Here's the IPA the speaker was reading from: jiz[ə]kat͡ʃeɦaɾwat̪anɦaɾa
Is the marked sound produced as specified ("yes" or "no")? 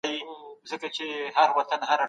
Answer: yes